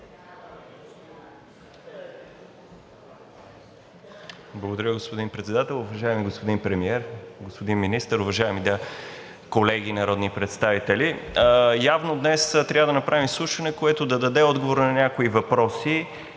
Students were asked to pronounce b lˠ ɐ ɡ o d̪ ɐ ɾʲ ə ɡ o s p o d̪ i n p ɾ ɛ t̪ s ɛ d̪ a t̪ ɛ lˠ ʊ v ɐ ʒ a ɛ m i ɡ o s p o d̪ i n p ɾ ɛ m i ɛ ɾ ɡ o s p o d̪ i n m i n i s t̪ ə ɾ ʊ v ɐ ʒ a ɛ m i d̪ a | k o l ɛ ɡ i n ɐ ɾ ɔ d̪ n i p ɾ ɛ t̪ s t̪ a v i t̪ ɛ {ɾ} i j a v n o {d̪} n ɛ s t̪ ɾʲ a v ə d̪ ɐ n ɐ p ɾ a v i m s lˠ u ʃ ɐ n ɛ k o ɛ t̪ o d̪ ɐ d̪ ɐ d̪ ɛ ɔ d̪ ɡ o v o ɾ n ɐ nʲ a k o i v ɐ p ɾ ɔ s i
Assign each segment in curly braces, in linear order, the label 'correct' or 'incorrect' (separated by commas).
incorrect, correct